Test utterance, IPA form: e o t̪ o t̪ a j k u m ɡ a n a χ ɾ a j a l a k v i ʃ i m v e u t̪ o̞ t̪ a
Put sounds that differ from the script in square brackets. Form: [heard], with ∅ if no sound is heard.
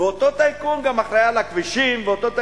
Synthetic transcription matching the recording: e o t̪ o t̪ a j k u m ɡ a [m] a χ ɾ a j a l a k v i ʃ i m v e [o] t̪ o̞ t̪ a